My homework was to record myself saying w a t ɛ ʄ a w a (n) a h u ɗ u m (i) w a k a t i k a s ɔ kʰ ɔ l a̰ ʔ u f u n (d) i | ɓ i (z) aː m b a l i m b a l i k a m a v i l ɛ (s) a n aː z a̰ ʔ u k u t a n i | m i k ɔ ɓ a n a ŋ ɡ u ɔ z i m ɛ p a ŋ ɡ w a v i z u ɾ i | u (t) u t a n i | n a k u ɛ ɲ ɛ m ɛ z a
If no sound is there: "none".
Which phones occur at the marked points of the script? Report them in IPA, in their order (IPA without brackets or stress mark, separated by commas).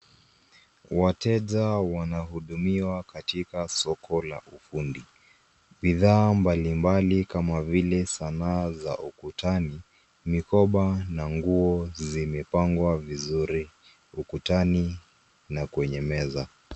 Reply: n, i, d, ð, s, k